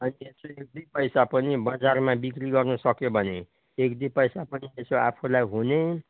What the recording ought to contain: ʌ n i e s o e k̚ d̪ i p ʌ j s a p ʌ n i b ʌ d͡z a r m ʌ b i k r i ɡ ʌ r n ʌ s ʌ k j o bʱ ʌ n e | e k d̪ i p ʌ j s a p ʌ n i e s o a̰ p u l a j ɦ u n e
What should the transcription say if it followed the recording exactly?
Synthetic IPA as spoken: ʌ n i e s o e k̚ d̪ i p ʌ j s a p ʌ n i b ʌ d͡z a r m a b i k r i ɡ ʌ r n ʌ s ʌ k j o bʱ ʌ n e | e k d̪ i p ʌ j s a p ʌ n i e s o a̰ pʰ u l a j ɦ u n e

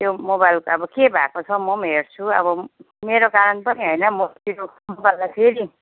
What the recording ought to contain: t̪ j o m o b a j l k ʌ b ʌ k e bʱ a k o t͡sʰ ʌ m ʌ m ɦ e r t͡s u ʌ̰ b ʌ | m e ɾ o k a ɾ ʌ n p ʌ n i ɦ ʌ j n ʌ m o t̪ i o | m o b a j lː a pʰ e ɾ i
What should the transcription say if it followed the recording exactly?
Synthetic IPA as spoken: t̪ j o m o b a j l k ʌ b ʌ k e bʱ a k o t͡sʰ ʌ m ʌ m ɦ e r t͡sʰ u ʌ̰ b ʌ | m e ɾ o k a ɾ ʌ n p ʌ n i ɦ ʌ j n ʌ m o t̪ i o | m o b a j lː a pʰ e ɾ i

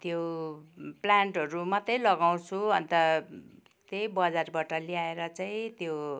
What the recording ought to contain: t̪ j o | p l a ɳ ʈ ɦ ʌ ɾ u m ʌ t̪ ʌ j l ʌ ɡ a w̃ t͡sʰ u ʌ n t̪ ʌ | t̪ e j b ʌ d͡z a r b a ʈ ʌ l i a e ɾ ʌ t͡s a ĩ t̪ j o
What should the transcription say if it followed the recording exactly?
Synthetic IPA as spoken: t̪ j o | p l a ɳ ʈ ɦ ʌ ɾ u m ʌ t̪ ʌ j l ʌ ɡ a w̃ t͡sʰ u ʌ n t̪ ʌ | t̪ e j b ʌ d͡z a r b a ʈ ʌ l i a e ɾ ʌ t͡s a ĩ t̪ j o

